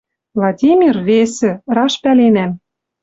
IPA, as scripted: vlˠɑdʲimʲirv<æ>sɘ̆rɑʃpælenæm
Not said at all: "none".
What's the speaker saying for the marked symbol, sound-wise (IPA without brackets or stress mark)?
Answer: e